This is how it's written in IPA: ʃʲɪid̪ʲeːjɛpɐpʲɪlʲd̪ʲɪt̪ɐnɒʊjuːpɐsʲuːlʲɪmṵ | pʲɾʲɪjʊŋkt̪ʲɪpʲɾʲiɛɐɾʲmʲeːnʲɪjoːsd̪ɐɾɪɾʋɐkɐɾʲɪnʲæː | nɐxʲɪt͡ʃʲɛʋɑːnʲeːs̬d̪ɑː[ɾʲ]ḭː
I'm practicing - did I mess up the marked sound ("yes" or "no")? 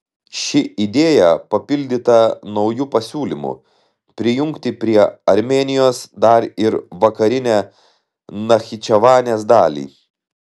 yes